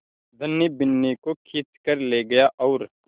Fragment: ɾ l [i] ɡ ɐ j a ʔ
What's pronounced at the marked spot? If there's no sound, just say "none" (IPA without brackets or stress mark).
e